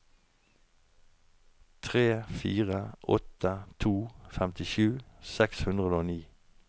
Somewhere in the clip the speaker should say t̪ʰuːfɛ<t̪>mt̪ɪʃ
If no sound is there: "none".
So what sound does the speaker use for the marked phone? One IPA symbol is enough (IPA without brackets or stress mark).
none